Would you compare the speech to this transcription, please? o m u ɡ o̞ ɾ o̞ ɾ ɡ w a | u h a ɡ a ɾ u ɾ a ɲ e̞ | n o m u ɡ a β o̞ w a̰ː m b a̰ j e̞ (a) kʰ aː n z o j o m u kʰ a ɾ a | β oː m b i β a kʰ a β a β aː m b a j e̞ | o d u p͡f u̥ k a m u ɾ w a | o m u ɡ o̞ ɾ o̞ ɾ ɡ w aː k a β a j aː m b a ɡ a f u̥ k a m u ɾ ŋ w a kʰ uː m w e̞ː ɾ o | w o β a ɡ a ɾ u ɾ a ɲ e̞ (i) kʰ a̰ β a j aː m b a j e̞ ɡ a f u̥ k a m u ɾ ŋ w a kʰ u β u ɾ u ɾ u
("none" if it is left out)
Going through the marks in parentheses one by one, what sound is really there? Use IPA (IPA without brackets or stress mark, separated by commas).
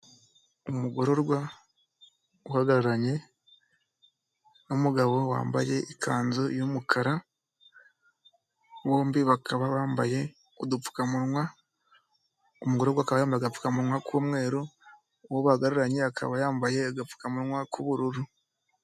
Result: i, a